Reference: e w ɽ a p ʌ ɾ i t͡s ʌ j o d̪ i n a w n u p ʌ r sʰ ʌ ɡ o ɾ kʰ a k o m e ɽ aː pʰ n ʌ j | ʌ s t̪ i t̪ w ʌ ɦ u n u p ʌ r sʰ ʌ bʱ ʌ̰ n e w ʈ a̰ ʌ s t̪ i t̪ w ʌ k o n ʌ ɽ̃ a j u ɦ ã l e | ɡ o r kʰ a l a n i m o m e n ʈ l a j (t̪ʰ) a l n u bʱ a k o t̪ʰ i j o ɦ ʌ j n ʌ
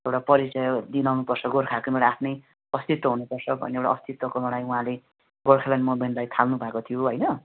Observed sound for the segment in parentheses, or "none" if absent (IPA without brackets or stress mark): t̪ʰ